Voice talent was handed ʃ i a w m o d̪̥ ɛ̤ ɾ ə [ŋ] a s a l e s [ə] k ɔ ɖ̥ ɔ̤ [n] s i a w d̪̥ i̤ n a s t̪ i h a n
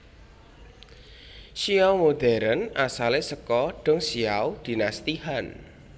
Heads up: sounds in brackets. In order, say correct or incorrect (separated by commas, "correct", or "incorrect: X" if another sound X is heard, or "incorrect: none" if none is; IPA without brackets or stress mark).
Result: incorrect: n, correct, incorrect: ŋ